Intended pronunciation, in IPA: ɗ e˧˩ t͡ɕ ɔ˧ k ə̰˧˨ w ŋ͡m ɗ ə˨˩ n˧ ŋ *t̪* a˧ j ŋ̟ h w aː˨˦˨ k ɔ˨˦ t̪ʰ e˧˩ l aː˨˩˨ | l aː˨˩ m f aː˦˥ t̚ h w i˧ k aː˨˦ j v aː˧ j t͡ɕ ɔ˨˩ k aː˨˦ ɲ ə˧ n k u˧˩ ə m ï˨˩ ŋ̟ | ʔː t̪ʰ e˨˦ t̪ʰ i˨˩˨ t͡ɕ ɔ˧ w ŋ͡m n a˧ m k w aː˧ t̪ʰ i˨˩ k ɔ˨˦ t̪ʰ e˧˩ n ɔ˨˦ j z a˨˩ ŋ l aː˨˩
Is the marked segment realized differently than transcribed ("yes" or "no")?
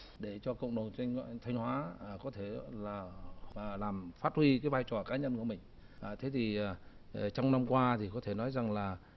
yes